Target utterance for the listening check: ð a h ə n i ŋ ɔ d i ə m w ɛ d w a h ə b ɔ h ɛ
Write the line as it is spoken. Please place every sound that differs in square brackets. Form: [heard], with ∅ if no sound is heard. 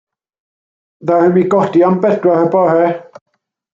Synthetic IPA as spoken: ð a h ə [m] i [ɡ] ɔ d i [a] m [b] ɛ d w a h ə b ɔ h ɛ